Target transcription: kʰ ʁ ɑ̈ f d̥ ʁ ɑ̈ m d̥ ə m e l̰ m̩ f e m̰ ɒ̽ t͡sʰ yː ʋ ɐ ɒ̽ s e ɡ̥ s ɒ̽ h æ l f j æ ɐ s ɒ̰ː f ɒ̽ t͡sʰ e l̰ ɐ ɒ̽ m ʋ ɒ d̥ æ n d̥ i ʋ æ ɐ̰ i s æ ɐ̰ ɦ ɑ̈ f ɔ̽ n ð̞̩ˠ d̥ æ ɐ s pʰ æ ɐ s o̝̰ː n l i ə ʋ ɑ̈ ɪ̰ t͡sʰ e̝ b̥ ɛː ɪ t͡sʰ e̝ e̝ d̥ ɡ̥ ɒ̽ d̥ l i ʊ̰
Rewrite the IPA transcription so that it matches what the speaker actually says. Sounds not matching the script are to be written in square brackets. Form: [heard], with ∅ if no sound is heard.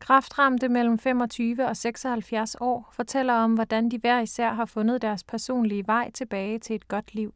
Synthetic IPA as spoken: kʰ ʁ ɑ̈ f d̥ ʁ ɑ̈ m d̥ ə m e l̰ m̩ f e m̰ ɒ̽ t͡sʰ yː ʋ [ə] ɒ̽ s e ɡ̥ s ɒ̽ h æ l f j æ ɐ s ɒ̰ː f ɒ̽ t͡sʰ e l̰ ɐ ɒ̽ m ʋ ɒ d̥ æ n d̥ i ʋ æ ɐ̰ i s æ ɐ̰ ɦ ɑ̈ f ɔ̽ n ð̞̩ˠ d̥ æ ɐ s pʰ æ ɐ s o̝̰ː n l i ə ʋ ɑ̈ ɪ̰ t͡sʰ e̝ b̥ ɛː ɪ t͡sʰ e̝ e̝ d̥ ɡ̥ ɒ̽ d̥ l i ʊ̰